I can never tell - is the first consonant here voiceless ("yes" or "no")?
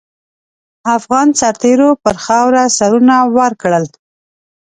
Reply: yes